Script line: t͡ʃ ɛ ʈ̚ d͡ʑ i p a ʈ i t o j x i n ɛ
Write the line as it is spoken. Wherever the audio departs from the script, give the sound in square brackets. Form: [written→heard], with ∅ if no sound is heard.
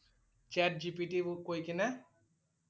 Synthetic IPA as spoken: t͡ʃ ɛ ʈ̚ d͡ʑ i p [a→i] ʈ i [t→k] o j [x→k] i n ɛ

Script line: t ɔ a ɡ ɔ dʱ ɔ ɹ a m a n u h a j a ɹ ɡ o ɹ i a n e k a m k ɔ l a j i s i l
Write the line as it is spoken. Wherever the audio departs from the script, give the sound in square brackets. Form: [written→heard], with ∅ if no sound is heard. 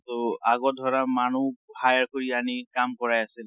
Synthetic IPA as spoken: t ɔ a ɡ ɔ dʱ ɔ ɹ a m a n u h a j a ɹ [ɡ→k] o ɹ i a n [e→i] k a m k ɔ [l→ɹ] a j [i→a] s i l

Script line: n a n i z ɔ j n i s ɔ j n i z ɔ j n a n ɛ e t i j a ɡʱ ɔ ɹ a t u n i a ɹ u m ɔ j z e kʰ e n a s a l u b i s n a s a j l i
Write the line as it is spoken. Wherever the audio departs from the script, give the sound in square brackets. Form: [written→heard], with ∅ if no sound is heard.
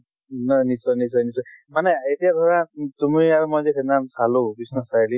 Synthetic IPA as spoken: n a n i [z→s] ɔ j n i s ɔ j n i [z→s] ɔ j [n→m] a n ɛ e t i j a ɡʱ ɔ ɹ a t u [n→m] i a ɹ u m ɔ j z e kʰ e n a s a l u b i s n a s a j l i

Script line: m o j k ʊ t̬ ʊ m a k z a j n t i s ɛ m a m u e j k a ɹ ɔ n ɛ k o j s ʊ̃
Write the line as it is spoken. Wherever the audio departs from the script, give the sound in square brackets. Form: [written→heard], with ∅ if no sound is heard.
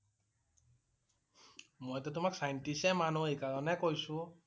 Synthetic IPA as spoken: m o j [k→t] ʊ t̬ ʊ m a k [z→s] a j n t i s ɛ m a [m→n] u e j k a ɹ ɔ n ɛ k o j s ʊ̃

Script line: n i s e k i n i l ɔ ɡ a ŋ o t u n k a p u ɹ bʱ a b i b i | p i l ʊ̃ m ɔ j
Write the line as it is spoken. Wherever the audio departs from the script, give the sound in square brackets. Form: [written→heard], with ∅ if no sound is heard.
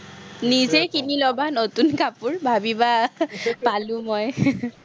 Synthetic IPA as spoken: n i [s→z] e k i n i l ɔ [ɡ→b] a [ŋ→n] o t u n k a p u ɹ bʱ a b i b [i→a] | p [i→a] l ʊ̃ m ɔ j

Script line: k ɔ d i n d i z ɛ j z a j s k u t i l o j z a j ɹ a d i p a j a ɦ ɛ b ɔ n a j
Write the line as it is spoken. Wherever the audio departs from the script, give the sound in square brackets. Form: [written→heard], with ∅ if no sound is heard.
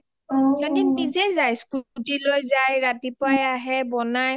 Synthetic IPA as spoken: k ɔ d i n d i z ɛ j z a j s k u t i l o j z a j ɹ a [d→t] i p a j a ɦ ɛ b ɔ n a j

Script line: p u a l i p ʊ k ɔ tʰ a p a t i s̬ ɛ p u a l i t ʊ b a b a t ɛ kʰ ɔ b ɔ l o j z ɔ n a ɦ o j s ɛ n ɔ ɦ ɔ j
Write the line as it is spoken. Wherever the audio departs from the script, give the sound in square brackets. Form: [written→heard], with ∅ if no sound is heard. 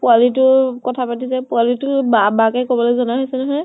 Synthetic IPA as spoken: p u a l i [p→t] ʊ k ɔ tʰ a p a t i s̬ ɛ p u a l i t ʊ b a b a [t→k] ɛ [kʰ→k] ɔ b ɔ l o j z ɔ n a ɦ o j s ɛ n ɔ ɦ ɔ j

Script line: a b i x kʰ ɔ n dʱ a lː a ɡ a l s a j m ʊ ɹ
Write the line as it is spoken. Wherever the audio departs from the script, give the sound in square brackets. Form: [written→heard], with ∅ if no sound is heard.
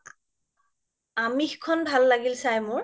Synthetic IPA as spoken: a [b→m] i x kʰ ɔ n [dʱ→bʱ] a lː a ɡ [a→i] l s a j m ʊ ɹ

